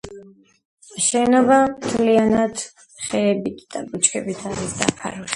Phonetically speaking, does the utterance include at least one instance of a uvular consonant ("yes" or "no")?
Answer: yes